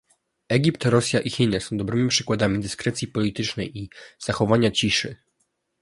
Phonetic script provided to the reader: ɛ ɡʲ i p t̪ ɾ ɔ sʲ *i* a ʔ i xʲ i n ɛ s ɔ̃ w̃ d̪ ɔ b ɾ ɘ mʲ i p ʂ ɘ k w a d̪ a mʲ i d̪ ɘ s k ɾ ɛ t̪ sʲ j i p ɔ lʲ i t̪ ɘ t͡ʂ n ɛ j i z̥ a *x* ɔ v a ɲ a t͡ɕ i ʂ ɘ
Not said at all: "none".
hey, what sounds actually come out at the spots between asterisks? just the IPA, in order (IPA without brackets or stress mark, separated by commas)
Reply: j, x